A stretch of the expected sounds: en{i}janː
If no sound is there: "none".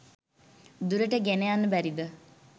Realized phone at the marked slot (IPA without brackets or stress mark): e